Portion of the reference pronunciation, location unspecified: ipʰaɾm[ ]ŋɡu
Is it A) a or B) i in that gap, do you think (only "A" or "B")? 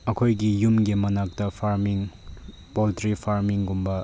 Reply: B